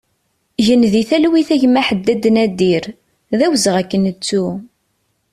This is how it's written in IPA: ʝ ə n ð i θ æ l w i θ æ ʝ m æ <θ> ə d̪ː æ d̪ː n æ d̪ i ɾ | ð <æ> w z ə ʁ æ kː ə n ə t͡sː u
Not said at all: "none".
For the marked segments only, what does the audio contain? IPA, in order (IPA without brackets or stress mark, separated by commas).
ħ, æ